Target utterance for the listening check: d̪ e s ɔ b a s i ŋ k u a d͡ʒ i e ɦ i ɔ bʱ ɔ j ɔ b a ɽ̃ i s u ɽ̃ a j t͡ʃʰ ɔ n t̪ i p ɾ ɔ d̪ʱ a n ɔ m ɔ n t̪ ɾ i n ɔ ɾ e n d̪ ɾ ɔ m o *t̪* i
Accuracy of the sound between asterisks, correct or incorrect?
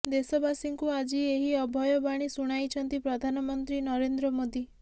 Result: incorrect